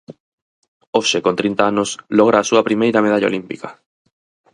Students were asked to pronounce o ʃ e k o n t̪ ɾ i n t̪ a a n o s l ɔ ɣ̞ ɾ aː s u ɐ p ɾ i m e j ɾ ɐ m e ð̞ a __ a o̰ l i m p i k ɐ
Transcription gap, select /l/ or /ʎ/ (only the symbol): ʎ